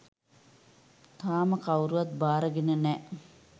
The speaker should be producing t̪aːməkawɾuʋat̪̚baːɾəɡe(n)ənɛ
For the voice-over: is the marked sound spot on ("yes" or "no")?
yes